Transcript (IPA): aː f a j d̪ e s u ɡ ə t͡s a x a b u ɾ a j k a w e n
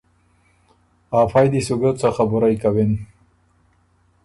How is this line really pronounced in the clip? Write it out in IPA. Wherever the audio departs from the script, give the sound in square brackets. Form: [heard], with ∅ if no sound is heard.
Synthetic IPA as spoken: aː f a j d̪ [i] s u ɡ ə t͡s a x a b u ɾ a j k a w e n